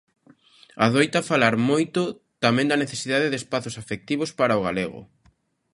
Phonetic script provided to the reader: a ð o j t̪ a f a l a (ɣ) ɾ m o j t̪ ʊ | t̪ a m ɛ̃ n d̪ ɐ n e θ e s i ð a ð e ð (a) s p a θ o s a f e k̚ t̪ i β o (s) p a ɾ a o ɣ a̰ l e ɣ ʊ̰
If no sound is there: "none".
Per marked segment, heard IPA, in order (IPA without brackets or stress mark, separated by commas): none, e, s